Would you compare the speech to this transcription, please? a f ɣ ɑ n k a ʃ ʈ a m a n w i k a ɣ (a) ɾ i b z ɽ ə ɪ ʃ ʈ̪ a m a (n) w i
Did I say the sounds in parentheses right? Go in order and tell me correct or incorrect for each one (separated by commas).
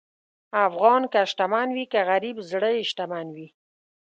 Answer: correct, correct